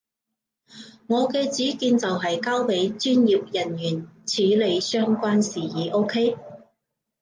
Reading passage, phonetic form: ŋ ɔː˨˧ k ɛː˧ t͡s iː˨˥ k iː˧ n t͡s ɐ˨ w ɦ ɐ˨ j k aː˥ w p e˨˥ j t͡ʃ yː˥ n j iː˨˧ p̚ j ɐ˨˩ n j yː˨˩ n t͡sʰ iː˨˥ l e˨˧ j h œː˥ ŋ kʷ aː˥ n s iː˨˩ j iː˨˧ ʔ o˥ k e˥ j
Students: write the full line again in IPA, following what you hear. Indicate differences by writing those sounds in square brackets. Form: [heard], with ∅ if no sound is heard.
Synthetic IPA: ŋ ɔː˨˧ k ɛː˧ t͡s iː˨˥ k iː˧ n t͡s ɐ˨ w ɦ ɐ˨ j k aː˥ w p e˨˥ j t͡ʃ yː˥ n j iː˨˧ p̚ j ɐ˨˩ n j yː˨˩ n t͡sʰ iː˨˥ l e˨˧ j [s] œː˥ ŋ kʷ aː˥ n s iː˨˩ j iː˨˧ ʔ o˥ [kʰ] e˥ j

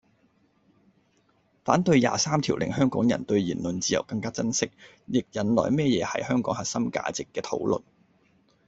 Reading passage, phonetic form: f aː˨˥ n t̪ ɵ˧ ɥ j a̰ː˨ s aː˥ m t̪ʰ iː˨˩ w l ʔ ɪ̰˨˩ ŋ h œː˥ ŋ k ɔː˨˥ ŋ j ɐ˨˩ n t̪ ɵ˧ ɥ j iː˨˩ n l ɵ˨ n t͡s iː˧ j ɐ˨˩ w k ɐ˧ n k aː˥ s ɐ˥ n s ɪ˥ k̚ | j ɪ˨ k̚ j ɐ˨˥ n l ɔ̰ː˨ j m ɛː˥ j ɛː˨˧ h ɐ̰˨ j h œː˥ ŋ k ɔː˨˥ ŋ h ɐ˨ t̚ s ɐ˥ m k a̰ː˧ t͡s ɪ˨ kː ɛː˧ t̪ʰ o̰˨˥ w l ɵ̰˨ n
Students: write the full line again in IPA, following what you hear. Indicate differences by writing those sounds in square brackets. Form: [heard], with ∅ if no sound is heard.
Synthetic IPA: f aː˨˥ n t̪ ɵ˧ ɥ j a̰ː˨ s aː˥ m t̪ʰ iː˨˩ w l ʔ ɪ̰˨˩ ŋ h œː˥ ŋ k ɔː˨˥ ŋ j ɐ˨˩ n t̪ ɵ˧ ɥ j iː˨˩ n l ɵ˨ n t͡s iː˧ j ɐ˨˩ w k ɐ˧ [ŋ] k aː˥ [t͡s] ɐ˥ n s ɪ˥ k̚ | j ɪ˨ k̚ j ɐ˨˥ n l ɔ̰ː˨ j m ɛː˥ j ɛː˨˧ h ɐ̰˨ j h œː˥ ŋ k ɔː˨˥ ŋ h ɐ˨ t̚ s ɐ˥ m k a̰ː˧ t͡s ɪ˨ kː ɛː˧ t̪ʰ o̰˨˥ w l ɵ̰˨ n

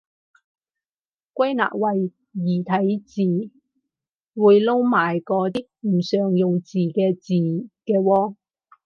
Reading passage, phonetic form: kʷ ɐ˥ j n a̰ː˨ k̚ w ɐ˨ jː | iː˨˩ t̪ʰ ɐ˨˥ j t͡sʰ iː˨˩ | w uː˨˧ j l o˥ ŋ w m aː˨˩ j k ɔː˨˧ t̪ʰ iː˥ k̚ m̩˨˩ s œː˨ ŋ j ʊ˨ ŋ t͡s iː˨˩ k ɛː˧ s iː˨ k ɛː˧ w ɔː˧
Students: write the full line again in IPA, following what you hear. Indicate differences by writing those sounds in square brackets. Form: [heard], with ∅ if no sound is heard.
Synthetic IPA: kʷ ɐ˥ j n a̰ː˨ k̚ w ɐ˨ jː | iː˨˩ t̪ʰ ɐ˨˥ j [t͡s] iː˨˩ | w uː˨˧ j l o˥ [∅] w m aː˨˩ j k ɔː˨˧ [t̪] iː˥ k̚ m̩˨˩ s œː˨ ŋ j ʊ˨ ŋ t͡s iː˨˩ k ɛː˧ [t͡s] iː˨ k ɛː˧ w ɔː˧

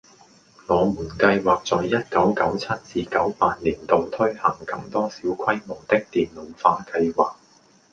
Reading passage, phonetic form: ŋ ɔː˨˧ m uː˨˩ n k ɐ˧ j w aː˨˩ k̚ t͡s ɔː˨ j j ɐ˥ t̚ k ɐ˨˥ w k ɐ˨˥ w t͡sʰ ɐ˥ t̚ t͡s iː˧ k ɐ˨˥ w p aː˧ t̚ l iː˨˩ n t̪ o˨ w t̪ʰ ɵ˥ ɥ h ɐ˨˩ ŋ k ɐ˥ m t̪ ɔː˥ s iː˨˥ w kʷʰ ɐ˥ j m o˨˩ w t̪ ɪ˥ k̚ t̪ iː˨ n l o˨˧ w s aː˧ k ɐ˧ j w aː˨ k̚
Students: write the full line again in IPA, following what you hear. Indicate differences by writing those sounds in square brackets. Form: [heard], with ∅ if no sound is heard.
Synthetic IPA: ŋ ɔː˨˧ m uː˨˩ n k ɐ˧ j w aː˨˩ k̚ t͡s ɔː˨ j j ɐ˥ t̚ k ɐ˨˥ w k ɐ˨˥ w t͡sʰ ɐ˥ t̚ t͡s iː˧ k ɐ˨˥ w p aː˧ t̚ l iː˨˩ n t̪ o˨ w t̪ʰ ɵ˥ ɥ h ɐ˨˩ ŋ k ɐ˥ m t̪ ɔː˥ s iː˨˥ w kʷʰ ɐ˥ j m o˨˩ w t̪ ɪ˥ k̚ t̪ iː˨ n l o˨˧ w [f] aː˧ k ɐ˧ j w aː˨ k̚

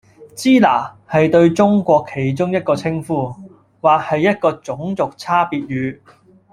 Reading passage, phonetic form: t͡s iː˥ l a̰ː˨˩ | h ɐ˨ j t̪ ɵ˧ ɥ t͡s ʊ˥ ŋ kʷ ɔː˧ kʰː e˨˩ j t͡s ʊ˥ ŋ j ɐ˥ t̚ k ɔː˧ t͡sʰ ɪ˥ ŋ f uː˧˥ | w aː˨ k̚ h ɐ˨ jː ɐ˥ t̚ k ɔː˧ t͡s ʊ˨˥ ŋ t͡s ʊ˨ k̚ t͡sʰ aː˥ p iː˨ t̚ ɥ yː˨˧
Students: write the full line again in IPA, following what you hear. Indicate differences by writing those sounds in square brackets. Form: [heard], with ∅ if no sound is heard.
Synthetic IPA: t͡s iː˥ l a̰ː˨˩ | h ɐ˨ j t̪ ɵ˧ ɥ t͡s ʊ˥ ŋ kʷ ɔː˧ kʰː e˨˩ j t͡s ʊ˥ ŋ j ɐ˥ t̚ k ɔː˧ t͡sʰ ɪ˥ ŋ f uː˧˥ | w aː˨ k̚ h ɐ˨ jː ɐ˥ t̚ k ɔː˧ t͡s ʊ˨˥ ŋ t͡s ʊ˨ k̚ t͡sʰ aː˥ p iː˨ t̚ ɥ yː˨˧

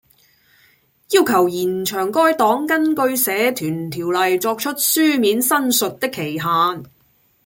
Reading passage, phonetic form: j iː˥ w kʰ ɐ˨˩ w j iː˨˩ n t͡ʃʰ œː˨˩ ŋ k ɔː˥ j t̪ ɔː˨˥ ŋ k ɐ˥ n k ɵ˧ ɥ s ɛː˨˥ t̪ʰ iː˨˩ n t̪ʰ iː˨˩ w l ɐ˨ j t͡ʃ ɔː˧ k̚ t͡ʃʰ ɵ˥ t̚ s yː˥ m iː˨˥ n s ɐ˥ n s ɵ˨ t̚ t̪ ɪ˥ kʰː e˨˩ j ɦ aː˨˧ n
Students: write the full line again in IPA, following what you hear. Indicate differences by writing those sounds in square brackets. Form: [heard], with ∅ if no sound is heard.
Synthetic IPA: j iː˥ w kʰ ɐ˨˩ w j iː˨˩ n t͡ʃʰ œː˨˩ ŋ k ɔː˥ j t̪ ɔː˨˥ ŋ k ɐ˥ n k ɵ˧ ɥ s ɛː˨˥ t̪ʰ [yː˨˩] n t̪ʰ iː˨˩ w l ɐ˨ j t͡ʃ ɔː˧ k̚ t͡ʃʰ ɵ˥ t̚ s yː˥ m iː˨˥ n s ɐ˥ n s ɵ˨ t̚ t̪ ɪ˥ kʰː e˨˩ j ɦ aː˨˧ n

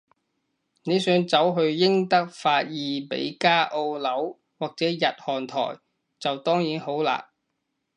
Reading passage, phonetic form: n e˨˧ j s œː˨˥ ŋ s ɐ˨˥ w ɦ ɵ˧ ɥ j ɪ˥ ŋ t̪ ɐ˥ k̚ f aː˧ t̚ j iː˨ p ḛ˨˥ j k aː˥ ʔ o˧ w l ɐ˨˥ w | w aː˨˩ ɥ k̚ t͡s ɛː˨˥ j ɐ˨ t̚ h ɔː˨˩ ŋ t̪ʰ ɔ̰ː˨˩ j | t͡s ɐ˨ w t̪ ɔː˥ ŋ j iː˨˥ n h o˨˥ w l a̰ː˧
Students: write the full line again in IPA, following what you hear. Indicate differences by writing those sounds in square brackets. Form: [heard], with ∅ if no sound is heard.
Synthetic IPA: n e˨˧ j s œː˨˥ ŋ [t͡s] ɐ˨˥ w ɦ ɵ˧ ɥ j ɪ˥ ŋ t̪ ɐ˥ k̚ f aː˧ t̚ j iː˨ p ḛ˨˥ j k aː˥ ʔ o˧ w l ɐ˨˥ w | w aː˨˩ [∅] k̚ t͡s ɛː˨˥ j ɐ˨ t̚ h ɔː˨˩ [n] t̪ʰ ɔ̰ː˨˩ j | t͡s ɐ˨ w t̪ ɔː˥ ŋ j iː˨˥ n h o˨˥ w l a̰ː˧

